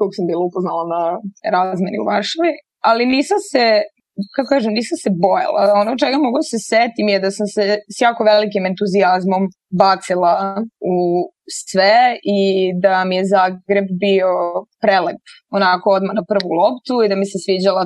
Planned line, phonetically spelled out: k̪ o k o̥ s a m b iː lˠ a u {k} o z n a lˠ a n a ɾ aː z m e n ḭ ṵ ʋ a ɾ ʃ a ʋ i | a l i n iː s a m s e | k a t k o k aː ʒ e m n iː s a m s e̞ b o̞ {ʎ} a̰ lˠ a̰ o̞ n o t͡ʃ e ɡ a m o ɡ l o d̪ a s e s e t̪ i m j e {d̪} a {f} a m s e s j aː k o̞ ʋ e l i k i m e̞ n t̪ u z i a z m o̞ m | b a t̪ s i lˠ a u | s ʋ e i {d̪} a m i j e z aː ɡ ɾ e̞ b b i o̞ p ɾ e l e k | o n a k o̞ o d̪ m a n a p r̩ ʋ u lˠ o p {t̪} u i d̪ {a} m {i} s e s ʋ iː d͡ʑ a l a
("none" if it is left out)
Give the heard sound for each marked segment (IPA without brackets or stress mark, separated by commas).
p, j, d̪, s, d̪, t̪, a, i